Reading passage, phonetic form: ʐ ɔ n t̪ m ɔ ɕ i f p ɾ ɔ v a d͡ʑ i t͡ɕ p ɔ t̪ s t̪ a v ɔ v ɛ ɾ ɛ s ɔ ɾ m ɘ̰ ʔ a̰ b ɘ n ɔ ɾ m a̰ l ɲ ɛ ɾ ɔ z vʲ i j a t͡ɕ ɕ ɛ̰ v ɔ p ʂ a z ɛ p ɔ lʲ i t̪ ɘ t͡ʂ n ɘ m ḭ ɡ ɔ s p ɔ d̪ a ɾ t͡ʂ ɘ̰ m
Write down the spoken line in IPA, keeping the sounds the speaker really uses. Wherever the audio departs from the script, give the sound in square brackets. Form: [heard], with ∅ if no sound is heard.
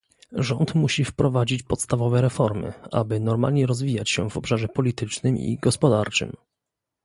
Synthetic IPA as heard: ʐ ɔ n t̪ m [u] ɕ i f p ɾ ɔ v a d͡ʑ i t͡ɕ p ɔ t̪ s t̪ a v ɔ v ɛ ɾ ɛ [f] ɔ ɾ m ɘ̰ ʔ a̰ b ɘ n ɔ ɾ m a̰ l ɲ ɛ ɾ ɔ z vʲ i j a t͡ɕ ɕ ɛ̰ v ɔ p ʂ a [ʐ] ɛ p ɔ lʲ i t̪ ɘ t͡ʂ n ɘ m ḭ ɡ ɔ s p ɔ d̪ a ɾ t͡ʂ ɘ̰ m